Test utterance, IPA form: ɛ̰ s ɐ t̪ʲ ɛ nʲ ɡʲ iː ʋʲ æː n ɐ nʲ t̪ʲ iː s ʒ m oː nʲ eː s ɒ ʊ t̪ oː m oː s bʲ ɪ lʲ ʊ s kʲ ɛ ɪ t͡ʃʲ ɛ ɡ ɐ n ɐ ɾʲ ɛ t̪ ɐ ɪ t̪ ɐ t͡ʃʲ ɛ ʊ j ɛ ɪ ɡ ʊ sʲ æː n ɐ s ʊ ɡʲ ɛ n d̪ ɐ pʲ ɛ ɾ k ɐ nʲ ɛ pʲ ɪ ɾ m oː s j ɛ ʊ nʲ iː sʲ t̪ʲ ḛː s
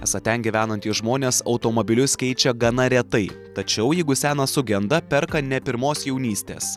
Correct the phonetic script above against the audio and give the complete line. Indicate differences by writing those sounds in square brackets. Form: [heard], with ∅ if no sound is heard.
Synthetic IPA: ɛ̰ s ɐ t̪ʲ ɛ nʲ ɡʲ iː ʋʲ æː n ɐ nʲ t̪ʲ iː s ʒ m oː nʲ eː s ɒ ʊ t̪ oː m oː [∅] bʲ ɪ lʲ ʊ s kʲ ɛ ɪ t͡ʃʲ ɛ ɡ ɐ n ɐ ɾʲ ɛ t̪ ɐ ɪ t̪ ɐ t͡ʃʲ ɛ ʊ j ɛ ɪ ɡ ʊ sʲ æː n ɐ s ʊ ɡʲ ɛ n d̪ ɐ pʲ ɛ ɾ k ɐ nʲ ɛ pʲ ɪ ɾ m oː s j ɛ ʊ nʲ iː sʲ t̪ʲ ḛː s

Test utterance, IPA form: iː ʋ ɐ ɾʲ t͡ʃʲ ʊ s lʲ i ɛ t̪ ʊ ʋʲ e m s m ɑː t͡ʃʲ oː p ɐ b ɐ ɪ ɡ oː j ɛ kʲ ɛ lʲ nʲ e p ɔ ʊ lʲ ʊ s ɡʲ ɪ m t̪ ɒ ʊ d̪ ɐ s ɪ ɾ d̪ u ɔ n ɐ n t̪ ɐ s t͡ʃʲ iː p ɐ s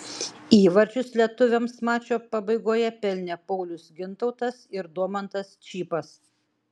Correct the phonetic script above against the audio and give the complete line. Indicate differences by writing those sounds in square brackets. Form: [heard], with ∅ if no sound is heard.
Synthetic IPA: iː ʋ ɐ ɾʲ t͡ʃʲ ʊ s lʲ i ɛ t̪ ʊ ʋʲ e m s m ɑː t͡ʃʲ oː p ɐ b ɐ ɪ ɡ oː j ɛ [pʲ] ɛ lʲ nʲ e p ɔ ʊ lʲ ʊ s ɡʲ ɪ [n] t̪ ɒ ʊ [t̪] ɐ s ɪ ɾ d̪ u ɔ [m] ɐ n t̪ ɐ s t͡ʃʲ iː p ɐ s

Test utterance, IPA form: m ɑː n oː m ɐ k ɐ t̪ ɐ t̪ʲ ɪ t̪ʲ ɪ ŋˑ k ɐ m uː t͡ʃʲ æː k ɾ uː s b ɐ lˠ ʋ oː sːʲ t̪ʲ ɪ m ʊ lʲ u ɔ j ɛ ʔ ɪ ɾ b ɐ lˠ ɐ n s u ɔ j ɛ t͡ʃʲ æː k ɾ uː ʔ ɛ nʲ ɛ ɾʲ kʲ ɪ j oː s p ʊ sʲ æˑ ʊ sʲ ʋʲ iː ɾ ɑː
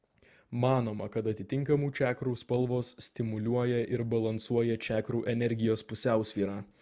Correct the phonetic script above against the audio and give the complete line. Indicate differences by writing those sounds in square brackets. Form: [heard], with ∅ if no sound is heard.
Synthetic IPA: m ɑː n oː m ɐ k ɐ t̪ ɐ t̪ʲ ɪ t̪ʲ ɪ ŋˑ k ɐ m uː t͡ʃʲ æː k ɾ uː s [p] ɐ lˠ ʋ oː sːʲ t̪ʲ ɪ m ʊ lʲ u ɔ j ɛ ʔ ɪ ɾ b ɐ lˠ ɐ n s u ɔ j ɛ t͡ʃʲ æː k ɾ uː ʔ ɛ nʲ ɛ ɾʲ [ɡʲ] ɪ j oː s p ʊ sʲ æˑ ʊ sʲ ʋʲ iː ɾ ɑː

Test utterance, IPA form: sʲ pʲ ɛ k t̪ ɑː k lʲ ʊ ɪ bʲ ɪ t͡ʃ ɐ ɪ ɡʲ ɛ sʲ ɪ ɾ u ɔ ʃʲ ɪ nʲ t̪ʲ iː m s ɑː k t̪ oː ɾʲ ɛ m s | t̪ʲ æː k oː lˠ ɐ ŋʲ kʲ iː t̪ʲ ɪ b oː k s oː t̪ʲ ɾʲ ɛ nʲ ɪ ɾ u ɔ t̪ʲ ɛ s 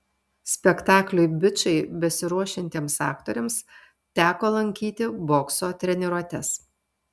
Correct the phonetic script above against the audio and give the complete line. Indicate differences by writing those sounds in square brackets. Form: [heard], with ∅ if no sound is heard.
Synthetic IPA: sʲ pʲ ɛ k t̪ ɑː k lʲ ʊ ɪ bʲ ɪ t͡ʃ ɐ ɪ [bʲ] ɛ sʲ ɪ ɾ u ɔ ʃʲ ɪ nʲ t̪ʲ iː m s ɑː k t̪ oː ɾʲ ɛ m s | t̪ʲ æː k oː lˠ ɐ ŋʲ kʲ iː t̪ʲ ɪ b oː k s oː t̪ʲ ɾʲ ɛ nʲ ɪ ɾ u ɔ t̪ʲ ɛ s

